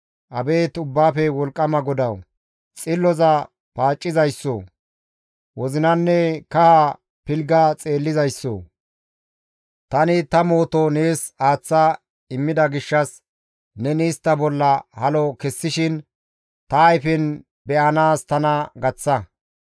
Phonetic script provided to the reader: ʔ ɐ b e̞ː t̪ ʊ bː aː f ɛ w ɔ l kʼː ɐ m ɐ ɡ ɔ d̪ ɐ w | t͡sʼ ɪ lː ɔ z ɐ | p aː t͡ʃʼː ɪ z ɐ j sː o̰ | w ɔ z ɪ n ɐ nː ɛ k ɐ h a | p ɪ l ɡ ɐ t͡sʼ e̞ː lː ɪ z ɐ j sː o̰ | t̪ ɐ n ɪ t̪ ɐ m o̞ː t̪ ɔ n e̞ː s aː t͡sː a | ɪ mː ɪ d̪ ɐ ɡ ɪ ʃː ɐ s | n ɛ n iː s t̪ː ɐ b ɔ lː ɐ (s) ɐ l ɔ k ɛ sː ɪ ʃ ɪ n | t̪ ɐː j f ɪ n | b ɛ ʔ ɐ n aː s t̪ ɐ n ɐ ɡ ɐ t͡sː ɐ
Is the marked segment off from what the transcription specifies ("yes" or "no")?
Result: yes